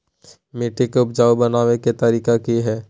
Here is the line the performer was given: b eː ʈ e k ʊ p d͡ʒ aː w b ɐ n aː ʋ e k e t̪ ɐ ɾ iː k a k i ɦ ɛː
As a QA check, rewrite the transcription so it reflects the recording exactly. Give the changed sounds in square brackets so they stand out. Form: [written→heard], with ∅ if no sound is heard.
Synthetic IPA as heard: [b→m] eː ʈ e k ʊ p d͡ʒ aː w b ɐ n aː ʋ e k e t̪ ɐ ɾ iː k a k i ɦ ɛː